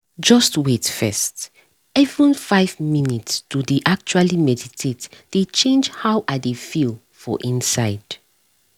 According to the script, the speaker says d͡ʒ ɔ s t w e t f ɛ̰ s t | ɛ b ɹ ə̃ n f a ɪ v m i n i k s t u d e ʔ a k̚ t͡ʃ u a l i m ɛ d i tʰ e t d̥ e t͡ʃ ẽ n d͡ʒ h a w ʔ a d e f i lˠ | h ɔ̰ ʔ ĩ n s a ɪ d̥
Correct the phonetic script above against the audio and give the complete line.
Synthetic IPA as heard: d͡ʒ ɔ s t w e t f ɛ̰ s t | ɛ v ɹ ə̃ n f a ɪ v m i n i t s t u d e ʔ a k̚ t͡ʃ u a l i m ɛ d i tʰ e t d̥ e t͡ʃ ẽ n d͡ʒ h a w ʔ a d e f i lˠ | f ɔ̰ ʔ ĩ n s a ɪ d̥